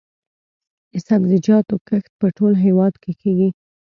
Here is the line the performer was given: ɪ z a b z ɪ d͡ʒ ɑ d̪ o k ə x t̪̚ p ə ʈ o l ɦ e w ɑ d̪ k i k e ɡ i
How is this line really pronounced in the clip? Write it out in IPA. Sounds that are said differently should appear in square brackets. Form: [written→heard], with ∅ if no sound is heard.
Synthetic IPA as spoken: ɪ [z→s] a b z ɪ d͡ʒ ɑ [d̪→t̪] o k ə x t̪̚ p ə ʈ o l ɦ e w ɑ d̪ k [i→e] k e ɡ i